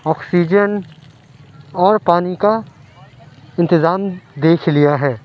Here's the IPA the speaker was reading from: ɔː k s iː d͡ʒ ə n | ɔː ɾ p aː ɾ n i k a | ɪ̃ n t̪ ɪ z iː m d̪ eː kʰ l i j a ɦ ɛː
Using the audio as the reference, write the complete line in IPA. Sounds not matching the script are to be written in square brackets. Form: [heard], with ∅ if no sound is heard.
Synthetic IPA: ɔː k s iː d͡ʒ ə n | ɔː ɾ p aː [∅] n i k a | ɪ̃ n t̪ ɪ z [aː] m d̪ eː kʰ l i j a ɦ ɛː